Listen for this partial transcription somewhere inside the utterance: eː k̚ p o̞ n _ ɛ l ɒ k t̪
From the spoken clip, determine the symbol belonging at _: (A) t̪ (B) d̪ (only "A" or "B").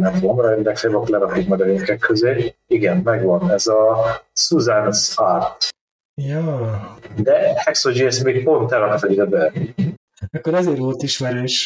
A